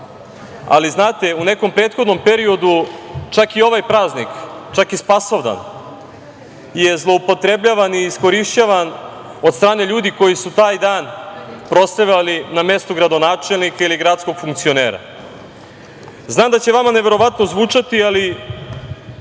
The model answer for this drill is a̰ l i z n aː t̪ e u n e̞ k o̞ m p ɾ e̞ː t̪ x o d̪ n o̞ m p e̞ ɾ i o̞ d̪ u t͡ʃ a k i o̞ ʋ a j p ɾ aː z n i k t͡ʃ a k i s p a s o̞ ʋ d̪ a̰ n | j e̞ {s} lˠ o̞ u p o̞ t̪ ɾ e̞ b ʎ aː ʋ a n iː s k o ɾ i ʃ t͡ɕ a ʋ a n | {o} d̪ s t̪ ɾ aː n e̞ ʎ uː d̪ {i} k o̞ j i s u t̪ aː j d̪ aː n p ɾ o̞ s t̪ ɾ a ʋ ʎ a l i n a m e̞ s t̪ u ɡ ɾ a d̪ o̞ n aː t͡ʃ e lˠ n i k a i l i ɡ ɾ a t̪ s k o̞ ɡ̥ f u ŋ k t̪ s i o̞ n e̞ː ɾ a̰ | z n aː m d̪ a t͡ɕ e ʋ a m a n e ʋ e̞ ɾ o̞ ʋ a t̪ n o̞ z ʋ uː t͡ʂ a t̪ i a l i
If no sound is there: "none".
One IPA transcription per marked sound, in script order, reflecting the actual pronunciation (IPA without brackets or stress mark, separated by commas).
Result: z, o, i